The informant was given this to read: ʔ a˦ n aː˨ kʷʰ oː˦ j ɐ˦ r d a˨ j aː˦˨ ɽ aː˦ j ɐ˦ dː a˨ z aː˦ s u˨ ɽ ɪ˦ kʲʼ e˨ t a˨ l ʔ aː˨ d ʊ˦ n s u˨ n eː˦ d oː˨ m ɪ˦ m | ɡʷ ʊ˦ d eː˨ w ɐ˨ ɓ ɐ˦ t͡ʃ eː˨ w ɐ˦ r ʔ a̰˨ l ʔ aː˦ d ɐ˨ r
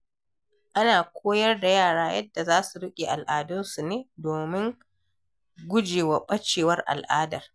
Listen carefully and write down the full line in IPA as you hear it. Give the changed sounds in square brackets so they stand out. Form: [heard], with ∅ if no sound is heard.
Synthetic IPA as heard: ʔ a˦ n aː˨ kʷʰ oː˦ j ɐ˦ r d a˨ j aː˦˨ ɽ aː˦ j ɐ˦ dː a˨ z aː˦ s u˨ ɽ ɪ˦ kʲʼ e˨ [ʔ] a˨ l ʔ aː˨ d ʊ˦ n s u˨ n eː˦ d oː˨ m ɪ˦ [ŋ] | ɡʷ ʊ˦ [d͡ʒ] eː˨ w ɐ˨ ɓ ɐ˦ t͡ʃ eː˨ w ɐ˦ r ʔ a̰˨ l ʔ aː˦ d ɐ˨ r